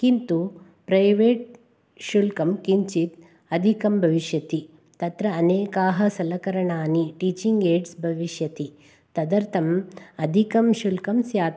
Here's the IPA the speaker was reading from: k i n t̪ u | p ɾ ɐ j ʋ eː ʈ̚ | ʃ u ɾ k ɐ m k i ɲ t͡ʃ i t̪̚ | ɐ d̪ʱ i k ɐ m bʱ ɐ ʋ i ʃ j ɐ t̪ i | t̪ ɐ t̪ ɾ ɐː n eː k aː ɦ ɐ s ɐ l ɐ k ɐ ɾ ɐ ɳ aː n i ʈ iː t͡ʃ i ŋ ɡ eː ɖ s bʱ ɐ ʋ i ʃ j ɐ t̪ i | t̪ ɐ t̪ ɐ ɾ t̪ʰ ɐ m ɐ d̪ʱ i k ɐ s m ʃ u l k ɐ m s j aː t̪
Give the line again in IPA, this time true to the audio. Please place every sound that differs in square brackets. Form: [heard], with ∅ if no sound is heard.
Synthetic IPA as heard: k i n t̪ u | p ɾ ɐ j ʋ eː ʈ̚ | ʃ u [l] k ɐ m k i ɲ t͡ʃ i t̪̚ | ɐ d̪ʱ i k ɐ m bʱ ɐ ʋ i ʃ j ɐ t̪ i | t̪ ɐ t̪ ɾ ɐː n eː k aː ɦ ɐ s ɐ l ɐ k ɐ ɾ ɐ ɳ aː n i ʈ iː t͡ʃ i ŋ ɡ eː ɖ s bʱ ɐ ʋ i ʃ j ɐ t̪ i | t̪ ɐ [d̪] ɐ ɾ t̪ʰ ɐ m ɐ d̪ʱ i k ɐ [∅] m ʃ u l k ɐ m s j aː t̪

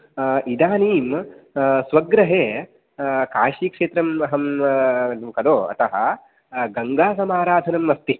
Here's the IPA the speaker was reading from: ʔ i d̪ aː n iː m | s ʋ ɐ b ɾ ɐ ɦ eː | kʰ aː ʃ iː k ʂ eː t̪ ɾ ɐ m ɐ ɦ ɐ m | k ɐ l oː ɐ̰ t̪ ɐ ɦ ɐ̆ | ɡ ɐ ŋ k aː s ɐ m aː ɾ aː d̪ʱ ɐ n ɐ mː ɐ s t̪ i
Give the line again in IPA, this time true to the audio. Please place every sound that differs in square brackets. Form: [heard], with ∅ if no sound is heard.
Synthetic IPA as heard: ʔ i d̪ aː n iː m | s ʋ ɐ [ɡ] ɾ ɐ ɦ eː | [k] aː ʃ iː k ʂ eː t̪ ɾ ɐ m ɐ ɦ ɐ m | k ɐ l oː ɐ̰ t̪ ɐ ɦ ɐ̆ | ɡ ɐ ŋ [ɡ] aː s ɐ m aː ɾ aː d̪ʱ ɐ n ɐ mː ɐ s t̪ i

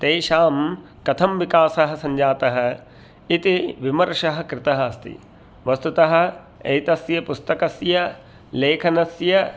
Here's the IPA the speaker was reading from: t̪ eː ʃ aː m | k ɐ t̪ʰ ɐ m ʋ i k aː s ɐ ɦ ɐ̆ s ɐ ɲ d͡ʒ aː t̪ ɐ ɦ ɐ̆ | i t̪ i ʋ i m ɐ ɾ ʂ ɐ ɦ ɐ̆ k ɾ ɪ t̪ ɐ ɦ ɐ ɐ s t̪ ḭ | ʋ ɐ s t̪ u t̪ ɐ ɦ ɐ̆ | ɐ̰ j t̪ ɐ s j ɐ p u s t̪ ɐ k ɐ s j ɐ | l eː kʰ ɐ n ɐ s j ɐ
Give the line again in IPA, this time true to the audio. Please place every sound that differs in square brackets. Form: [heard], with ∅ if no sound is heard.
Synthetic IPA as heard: t̪ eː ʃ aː m | k ɐ t̪ʰ ɐ m ʋ i k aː s ɐ ɦ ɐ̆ s ɐ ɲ d͡ʒ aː t̪ ɐ ɦ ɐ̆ | i t̪ i ʋ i m ɐ ɾ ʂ ɐ ɦ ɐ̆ k ɾ ɪ t̪ ɐ ɦ ɐ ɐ s t̪ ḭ | ʋ ɐ s t̪ u t̪ ɐ ɦ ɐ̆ | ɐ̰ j t̪ ɐ s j ɐ p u s t̪ ɐ k ɐ s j ɐ | l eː kʰ ɐ n ɐ s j ɐ

